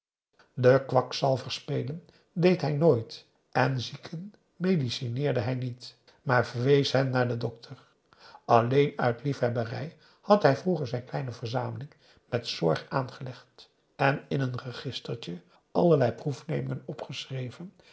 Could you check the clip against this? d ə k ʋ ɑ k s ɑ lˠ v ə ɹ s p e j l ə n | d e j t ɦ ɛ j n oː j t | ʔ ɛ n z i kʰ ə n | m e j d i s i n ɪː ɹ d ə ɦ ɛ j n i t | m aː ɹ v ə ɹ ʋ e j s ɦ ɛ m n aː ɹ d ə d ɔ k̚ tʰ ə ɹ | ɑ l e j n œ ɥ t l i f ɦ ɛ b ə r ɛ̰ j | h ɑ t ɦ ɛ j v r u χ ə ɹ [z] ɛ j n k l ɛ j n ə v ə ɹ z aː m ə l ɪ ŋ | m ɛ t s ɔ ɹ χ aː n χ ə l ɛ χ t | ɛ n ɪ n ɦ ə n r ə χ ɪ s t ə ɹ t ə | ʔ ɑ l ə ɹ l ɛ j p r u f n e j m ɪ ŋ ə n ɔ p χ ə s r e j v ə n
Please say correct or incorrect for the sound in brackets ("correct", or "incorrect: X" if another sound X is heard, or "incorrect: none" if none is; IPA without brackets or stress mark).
correct